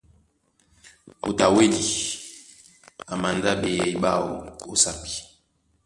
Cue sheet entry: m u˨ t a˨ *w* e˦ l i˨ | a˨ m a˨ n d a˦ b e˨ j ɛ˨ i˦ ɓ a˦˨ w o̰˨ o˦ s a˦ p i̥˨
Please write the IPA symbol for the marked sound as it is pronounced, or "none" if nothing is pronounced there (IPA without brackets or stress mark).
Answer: w